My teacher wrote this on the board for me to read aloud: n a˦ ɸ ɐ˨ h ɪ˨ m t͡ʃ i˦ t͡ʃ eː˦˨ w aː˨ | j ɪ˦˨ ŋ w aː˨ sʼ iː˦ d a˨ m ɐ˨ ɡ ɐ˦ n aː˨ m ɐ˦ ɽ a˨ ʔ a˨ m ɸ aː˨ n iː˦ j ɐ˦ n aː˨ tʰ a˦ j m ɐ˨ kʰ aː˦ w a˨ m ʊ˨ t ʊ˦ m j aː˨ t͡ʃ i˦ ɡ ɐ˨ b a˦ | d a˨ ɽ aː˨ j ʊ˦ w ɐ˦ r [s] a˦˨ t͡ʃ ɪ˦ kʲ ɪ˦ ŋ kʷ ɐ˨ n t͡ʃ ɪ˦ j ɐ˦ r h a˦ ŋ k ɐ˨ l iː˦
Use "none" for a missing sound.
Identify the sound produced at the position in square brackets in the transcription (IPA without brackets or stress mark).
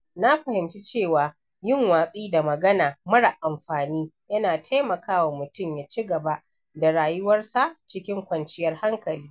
s